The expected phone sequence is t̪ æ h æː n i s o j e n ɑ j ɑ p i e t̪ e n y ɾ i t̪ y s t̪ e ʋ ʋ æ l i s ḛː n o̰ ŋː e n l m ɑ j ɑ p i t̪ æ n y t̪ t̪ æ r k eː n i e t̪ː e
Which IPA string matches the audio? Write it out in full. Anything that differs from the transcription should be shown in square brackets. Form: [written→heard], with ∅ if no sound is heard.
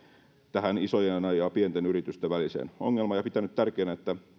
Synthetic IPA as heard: t̪ æ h [æː→æ] n i s o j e n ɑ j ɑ p i e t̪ e n y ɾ i t̪ y s t̪ e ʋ ʋ æ l i s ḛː n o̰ ŋː e [n→∅] l m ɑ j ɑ p i t̪ æ n y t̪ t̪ æ r k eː n [i→æ] e t̪ː [e→æ]